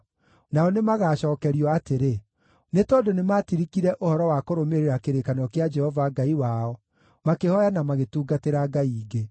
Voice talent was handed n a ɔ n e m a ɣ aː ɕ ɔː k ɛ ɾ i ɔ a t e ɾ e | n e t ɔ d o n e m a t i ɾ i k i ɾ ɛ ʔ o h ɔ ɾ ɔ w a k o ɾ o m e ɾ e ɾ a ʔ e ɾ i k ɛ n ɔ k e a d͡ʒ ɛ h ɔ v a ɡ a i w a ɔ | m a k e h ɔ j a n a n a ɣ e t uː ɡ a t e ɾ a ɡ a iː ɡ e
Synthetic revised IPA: n a ɔ n e m a ɣ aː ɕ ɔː k ɛ ɾ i ɔ a t e ɾ e | n e t ɔ d o n e m a t i ɾ i k i ɾ ɛ ʔ o h ɔ ɾ ɔ w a k o ɾ o m e ɾ e ɾ a k e ɾ e k a n ɔ k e a d͡ʒ ɛ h ɔ v a ɡ a i w a ɔ | m a k e h ɔ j a n a m a ɣ e t uː ɡ a t e ɾ a ɡ a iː ɡ e